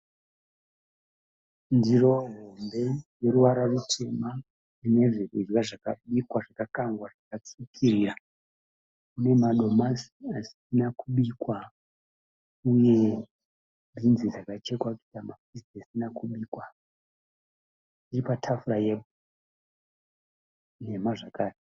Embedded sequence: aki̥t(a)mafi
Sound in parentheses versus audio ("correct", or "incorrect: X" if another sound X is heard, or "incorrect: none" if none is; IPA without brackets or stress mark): correct